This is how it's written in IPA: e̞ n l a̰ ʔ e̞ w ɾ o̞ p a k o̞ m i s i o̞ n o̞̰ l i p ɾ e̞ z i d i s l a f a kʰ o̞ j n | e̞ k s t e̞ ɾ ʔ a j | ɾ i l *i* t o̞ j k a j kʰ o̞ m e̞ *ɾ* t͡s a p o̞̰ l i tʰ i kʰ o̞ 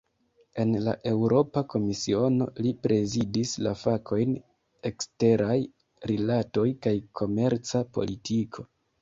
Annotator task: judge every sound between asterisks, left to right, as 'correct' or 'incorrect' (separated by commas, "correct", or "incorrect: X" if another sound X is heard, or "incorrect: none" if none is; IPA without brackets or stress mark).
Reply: incorrect: a, correct